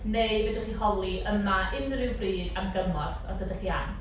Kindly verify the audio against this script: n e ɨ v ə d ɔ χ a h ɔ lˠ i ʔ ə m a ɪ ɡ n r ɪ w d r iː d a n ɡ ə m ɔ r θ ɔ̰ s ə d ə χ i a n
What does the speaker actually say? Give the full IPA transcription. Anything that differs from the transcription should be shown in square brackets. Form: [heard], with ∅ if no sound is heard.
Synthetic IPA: n e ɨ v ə d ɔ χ [i] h ɔ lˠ i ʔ ə m a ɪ [∅] n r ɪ w [b] r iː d a [m] ɡ ə m ɔ r θ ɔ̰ s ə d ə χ i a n